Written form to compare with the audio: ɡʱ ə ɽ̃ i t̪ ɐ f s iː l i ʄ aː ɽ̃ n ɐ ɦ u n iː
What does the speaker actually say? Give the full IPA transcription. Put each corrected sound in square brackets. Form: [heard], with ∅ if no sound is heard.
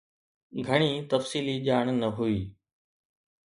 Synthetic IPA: ɡʱ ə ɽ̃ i t̪ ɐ f s iː l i ʄ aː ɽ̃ n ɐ ɦ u [∅] iː

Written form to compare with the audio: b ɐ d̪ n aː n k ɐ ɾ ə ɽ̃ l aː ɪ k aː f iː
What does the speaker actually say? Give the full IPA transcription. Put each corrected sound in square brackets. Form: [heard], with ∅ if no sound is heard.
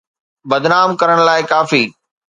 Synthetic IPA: b ɐ d̪ n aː [m] k ɐ ɾ ə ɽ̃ l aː ɪ k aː f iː

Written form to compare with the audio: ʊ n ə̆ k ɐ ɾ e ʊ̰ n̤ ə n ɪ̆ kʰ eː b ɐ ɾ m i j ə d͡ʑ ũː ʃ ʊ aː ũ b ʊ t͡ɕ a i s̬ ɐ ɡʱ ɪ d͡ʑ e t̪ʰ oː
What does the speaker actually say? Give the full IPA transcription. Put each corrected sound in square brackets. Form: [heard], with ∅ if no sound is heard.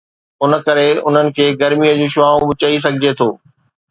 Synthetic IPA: ʊ n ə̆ k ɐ ɾ e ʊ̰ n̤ ə n ɪ̆ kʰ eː [ɡ] ɐ ɾ m i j ə d͡ʑ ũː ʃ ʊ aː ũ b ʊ t͡ɕ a i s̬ ɐ ɡʱ ɪ d͡ʑ e t̪ʰ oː

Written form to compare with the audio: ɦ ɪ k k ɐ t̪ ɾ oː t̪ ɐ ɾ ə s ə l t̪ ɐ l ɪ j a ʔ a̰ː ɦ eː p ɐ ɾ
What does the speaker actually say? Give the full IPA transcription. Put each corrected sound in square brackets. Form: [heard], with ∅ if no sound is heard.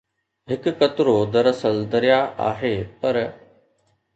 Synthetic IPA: ɦ ɪ k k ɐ t̪ ɾ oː [d̪] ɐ ɾ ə s ə l [d̪] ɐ [ɾ] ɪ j a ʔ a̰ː ɦ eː p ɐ ɾ

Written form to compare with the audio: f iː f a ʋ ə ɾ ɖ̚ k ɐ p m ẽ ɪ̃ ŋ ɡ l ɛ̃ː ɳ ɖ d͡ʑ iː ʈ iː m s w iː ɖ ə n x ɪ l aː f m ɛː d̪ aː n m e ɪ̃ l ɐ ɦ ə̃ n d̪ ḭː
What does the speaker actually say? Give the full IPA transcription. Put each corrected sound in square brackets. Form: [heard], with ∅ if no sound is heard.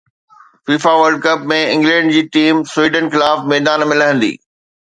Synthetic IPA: f iː f a ʋ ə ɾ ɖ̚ k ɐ p m ẽ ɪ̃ ŋ ɡ l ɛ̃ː ɳ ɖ d͡ʑ iː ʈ iː m s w iː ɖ ə n x ɪ l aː f m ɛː d̪ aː n m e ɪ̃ l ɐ ɦ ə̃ n d̪ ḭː

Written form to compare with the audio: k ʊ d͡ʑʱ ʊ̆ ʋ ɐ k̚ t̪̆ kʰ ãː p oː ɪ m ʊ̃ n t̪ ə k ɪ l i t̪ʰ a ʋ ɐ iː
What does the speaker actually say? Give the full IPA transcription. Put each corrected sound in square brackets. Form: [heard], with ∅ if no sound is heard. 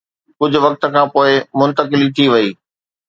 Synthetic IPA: k ʊ d͡ʑʱ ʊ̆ ʋ ɐ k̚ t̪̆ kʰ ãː p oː ɪ m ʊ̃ n t̪ ə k ɪ l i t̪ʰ [i] ʋ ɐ iː

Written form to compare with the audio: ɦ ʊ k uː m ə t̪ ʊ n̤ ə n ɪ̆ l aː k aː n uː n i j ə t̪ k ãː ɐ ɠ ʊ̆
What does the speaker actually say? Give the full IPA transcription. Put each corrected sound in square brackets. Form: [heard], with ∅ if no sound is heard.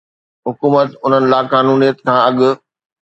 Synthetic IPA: ɦ ʊ k uː m ə t̪ ʊ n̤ ə n ɪ̆ l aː k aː n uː n i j ə t̪ [kʰ] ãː ɐ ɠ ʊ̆

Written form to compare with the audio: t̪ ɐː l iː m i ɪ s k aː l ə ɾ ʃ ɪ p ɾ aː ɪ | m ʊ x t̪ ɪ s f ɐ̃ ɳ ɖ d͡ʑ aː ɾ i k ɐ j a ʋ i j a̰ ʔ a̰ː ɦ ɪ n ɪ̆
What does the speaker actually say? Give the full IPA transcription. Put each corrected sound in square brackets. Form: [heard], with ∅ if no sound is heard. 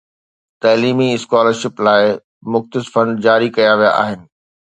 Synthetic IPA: t̪ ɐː l iː m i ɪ s k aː l ə ɾ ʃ ɪ p [l] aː ɪ | m ʊ x t̪ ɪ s f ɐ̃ ɳ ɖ d͡ʑ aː ɾ i k ɐ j a ʋ i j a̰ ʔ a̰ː ɦ ɪ n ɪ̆

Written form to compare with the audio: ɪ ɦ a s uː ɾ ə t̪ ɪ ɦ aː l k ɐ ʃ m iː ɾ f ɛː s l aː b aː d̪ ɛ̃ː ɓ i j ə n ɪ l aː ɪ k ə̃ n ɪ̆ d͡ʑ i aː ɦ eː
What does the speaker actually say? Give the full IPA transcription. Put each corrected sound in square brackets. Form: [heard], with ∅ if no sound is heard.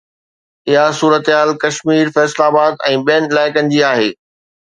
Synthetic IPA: ɪ ɦ a s uː ɾ ə t̪ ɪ ɦ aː l k ɐ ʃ m iː ɾ f ɛː s l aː b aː d̪ ɛ̃ː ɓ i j ə n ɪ l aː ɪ k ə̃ n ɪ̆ d͡ʑ i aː ɦ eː

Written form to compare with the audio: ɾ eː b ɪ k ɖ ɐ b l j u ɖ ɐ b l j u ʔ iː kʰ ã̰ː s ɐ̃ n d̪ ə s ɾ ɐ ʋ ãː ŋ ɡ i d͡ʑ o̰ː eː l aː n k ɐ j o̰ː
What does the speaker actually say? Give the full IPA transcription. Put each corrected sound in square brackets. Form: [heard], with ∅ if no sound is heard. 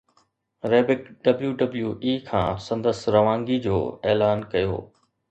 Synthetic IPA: ɾ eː b ɪ k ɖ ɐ b l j u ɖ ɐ b l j u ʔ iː kʰ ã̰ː s ɐ̃ n d̪ ə s ɾ ɐ ʋ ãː ŋ ɡ i d͡ʑ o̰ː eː l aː n k ɐ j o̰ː

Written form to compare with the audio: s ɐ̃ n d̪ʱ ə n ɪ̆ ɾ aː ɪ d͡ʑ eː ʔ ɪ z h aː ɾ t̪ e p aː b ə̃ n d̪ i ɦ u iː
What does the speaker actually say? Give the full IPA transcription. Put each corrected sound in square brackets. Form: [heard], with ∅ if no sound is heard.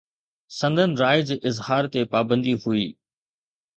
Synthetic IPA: s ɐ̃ n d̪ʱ ə n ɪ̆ ɾ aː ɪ d͡ʑ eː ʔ ɪ z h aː ɾ t̪ e p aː b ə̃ n d̪ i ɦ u iː

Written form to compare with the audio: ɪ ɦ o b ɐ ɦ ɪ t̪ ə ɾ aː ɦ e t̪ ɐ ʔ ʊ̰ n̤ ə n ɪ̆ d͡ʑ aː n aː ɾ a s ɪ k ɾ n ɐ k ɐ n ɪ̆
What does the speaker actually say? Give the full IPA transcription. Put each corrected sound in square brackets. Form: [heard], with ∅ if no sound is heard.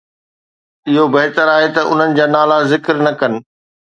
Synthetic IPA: ɪ ɦ o b ɐ ɦ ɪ t̪ ə ɾ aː ɦ e t̪ ɐ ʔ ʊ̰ n̤ ə n ɪ̆ d͡ʑ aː n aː [l] a [z] ɪ k ɾ n ɐ k ɐ n ɪ̆

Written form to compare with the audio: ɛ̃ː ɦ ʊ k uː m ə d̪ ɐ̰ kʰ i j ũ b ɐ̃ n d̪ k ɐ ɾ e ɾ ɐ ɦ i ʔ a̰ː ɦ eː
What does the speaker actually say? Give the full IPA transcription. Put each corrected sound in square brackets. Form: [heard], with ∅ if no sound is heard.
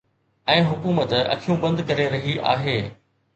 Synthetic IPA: ɛ̃ː ɦ ʊ k uː m ə [t̪] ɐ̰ kʰ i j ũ b ɐ̃ n d̪ k ɐ ɾ e ɾ ɐ ɦ i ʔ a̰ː ɦ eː

